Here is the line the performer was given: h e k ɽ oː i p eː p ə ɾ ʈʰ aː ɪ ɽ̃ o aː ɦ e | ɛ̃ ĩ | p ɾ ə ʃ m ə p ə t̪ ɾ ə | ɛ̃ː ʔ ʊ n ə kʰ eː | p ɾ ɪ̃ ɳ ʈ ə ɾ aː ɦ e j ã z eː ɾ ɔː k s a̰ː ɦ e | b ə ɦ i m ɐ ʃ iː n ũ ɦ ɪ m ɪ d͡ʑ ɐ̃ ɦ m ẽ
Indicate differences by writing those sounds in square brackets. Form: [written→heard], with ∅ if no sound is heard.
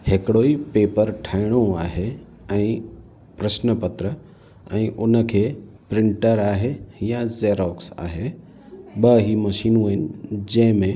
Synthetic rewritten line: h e k ɽ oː i p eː p ə ɾ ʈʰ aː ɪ ɽ̃ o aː ɦ e | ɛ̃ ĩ | p ɾ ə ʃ [m→n] ə p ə t̪ ɾ ə | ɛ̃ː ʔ ʊ n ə kʰ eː | p ɾ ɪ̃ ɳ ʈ ə ɾ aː ɦ e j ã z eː ɾ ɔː k s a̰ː ɦ e | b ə ɦ i m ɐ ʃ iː n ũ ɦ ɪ [m→n] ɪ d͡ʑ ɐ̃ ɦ m ẽ